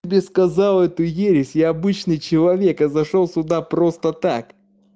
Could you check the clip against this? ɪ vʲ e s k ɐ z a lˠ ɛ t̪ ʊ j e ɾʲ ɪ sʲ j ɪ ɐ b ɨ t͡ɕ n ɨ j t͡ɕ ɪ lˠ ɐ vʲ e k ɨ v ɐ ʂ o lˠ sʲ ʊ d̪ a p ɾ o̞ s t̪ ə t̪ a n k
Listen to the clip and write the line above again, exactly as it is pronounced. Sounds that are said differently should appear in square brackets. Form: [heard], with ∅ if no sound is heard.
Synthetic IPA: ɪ [bʲ] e s k ɐ z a lˠ ɛ t̪ ʊ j e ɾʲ ɪ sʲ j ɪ ɐ b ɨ t͡ɕ n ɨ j t͡ɕ ɪ lˠ ɐ vʲ e k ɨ [z] ɐ ʂ o lˠ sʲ ʊ d̪ a p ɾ o̞ s t̪ ə t̪ a [∅] k